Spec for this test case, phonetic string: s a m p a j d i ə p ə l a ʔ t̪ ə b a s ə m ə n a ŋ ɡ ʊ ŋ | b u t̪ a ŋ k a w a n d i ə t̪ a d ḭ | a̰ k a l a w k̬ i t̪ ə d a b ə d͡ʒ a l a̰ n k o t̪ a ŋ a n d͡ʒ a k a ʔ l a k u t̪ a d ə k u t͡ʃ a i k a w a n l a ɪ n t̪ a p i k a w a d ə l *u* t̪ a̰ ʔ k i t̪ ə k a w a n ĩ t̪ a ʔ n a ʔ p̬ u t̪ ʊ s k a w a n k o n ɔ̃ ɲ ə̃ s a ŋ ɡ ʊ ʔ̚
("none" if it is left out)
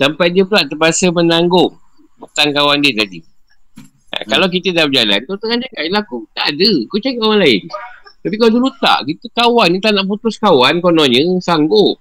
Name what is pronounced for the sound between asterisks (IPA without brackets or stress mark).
u